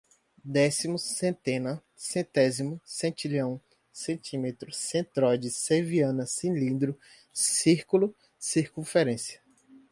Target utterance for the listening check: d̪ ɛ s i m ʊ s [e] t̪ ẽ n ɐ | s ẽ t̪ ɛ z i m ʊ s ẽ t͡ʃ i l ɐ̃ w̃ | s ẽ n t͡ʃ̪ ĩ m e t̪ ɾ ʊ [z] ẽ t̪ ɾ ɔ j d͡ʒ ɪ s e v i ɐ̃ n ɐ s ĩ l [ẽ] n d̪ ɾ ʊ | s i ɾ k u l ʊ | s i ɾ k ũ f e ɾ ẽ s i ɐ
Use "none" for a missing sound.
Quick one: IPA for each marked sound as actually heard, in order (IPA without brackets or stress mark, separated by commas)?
ẽ, s, ĩ